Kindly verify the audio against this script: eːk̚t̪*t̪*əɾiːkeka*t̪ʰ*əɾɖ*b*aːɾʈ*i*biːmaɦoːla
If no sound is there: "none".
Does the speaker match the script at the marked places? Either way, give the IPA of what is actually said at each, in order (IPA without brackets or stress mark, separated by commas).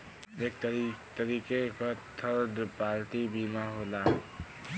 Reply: t̪, t̪ʰ, p, i